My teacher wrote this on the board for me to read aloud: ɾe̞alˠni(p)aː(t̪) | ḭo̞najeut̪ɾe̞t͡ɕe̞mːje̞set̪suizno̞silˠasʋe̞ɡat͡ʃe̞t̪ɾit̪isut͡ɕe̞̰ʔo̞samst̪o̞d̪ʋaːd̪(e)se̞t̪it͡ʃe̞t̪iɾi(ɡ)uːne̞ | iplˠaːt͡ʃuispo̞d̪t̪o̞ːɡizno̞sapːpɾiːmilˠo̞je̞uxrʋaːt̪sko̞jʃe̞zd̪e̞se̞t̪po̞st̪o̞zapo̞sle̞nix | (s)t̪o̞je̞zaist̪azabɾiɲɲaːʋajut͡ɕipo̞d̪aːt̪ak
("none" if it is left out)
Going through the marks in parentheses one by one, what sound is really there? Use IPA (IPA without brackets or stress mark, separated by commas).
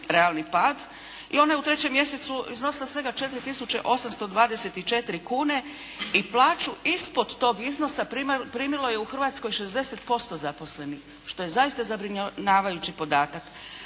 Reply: p, d̪, e, k, ʃ